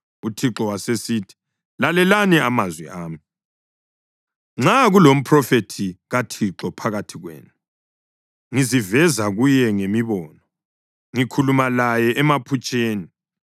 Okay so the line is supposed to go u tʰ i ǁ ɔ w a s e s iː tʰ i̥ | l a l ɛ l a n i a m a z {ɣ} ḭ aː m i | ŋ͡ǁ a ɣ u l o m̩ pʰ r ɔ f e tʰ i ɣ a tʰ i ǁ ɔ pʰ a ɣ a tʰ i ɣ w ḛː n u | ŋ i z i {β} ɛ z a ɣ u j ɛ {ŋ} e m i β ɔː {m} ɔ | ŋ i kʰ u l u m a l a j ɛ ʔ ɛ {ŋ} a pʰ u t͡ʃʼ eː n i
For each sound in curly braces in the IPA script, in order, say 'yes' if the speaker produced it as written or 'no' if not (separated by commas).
no, no, yes, no, no